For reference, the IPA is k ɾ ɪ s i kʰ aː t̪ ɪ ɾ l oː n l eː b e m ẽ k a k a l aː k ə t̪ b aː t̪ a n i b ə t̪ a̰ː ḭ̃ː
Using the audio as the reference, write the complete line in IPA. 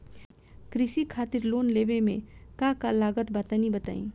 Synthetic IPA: k ɾ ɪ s i kʰ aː t̪ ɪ ɾ l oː n l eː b e m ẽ k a k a l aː ɡ ə t̪ b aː t̪ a n i b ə t̪ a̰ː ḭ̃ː